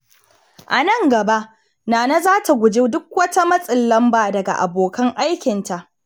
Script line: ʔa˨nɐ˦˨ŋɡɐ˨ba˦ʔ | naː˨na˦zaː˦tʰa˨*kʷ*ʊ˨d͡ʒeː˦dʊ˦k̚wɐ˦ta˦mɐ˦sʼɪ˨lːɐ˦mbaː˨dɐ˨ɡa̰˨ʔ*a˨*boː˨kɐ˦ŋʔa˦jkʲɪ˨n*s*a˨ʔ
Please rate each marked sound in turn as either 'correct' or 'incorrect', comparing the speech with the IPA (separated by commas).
incorrect, correct, incorrect